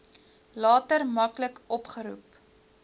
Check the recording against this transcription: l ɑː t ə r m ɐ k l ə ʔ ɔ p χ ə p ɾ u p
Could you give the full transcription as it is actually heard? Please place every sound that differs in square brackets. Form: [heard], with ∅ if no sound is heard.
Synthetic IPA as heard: l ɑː t ə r m ɐ k l ə [k] ɔ p χ ə [∅] ɾ u p